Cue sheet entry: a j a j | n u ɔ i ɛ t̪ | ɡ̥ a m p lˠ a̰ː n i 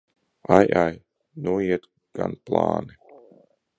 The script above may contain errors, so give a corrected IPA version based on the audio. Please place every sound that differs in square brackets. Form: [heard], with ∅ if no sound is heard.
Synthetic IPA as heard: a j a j | n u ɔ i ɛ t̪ | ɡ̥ a [n] p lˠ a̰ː n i